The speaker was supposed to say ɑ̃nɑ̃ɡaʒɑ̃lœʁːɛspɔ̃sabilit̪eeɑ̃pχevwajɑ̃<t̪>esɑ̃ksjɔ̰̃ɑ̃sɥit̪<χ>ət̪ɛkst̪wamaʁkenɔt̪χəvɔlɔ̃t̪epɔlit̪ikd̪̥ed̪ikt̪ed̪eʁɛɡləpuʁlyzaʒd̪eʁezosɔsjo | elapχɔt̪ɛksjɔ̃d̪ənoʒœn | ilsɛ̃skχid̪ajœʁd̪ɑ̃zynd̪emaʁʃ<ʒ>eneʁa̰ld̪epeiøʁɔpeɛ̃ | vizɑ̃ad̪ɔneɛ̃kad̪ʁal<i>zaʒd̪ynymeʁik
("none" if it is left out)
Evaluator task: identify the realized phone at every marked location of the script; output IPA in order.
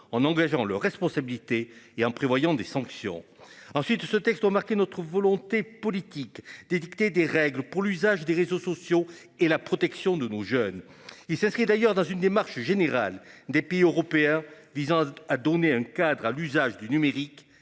d̪, s, ʒ, y

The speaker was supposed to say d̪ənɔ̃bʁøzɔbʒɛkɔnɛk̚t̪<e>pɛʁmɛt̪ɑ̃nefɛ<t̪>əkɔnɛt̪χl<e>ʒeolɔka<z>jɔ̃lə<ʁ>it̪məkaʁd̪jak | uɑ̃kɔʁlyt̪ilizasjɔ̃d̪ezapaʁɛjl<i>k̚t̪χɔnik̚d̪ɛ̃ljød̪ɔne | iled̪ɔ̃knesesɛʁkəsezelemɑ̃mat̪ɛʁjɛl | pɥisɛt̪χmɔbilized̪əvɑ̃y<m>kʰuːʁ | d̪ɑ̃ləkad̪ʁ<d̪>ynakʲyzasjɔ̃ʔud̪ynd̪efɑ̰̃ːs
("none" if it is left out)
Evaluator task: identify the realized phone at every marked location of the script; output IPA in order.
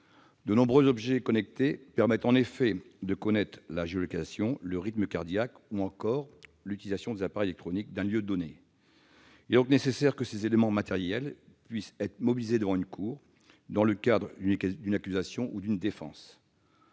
e, d̪, a, s, ʁ, ɛ, n, d̪

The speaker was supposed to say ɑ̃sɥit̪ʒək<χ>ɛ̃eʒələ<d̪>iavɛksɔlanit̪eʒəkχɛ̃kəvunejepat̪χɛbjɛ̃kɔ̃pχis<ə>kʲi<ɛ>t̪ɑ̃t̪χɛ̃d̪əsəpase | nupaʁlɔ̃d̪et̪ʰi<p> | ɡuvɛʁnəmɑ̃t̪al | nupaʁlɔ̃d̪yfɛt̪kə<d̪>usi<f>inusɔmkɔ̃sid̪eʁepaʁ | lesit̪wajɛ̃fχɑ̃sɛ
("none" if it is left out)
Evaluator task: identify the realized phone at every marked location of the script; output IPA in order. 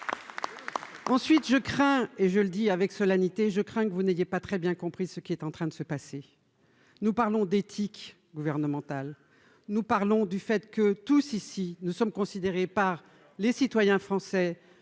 χ, d̪, ə, ɛ, k, t̪, s

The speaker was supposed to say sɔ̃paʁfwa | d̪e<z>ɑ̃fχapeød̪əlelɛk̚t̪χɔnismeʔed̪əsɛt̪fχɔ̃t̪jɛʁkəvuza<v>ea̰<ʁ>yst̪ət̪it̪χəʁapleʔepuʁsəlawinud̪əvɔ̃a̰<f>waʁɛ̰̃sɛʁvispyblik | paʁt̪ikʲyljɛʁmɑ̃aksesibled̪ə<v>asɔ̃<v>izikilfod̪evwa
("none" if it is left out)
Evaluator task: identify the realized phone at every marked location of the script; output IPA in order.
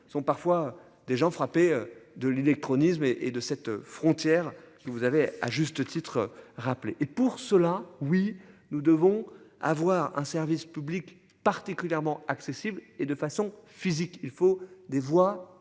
ʒ, v, ʒ, v, f, f

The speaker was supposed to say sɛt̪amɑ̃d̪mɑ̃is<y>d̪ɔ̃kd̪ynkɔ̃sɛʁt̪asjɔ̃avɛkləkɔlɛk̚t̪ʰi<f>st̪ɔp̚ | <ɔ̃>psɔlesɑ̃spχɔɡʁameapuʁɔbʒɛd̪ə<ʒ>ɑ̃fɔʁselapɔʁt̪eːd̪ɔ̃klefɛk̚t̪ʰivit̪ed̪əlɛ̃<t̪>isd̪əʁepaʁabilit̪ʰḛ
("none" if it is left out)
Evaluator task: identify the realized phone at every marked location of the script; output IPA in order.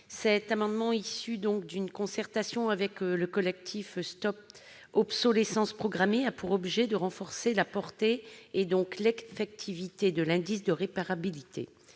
y, f, ɔ, ʁ, d̪

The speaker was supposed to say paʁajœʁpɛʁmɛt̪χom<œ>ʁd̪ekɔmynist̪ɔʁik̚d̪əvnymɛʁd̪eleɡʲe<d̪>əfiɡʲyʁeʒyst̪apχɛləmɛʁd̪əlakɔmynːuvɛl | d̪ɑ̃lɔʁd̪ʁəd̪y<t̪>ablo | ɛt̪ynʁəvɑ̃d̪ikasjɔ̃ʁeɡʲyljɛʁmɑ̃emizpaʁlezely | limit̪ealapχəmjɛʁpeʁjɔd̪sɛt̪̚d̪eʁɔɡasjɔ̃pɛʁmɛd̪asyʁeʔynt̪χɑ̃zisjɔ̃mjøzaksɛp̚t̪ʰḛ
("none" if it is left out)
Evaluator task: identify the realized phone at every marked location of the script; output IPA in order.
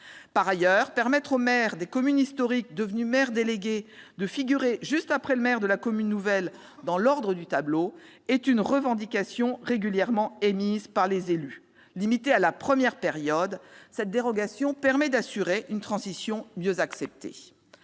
ɛ, d̪, t̪

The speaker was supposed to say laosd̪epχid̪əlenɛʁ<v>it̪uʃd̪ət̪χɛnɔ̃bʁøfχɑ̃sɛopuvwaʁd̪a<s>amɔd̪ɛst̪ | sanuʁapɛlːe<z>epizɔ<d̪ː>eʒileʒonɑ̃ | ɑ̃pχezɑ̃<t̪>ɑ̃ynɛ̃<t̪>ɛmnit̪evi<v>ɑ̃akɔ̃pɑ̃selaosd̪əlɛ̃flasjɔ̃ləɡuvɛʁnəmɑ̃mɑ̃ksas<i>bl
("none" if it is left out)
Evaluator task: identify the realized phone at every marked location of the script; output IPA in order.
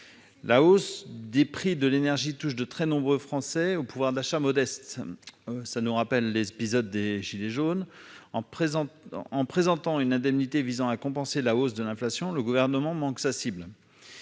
ʒ, ʃ, z, d̪ː, t̪, d̪, z, i

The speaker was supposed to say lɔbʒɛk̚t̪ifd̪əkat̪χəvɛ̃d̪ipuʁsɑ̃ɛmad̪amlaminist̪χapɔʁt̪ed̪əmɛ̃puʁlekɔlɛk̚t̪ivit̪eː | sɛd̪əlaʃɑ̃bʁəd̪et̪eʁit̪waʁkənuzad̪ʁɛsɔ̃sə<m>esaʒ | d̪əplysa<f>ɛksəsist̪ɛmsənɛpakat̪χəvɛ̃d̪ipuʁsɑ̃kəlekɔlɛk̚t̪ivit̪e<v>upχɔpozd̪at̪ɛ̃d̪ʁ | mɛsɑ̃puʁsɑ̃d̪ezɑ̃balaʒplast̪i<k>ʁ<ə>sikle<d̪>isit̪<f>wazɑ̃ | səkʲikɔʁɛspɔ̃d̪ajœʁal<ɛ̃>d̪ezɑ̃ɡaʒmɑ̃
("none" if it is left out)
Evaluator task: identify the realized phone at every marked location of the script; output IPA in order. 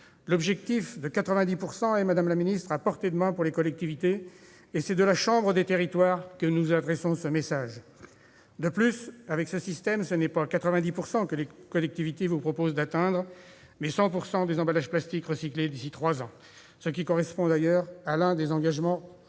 m, v, v, k, ə, d̪, χ, ɛ̃

